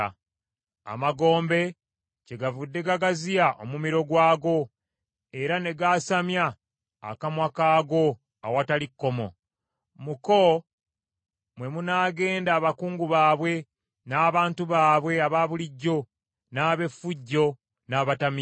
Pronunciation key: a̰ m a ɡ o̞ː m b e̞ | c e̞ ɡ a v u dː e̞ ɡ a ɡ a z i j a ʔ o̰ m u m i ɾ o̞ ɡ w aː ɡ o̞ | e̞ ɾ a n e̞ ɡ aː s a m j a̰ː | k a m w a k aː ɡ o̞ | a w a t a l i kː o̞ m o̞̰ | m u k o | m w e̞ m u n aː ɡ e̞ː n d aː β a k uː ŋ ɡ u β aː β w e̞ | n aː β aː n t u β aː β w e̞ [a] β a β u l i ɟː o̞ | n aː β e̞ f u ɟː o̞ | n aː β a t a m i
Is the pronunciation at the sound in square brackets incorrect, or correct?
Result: correct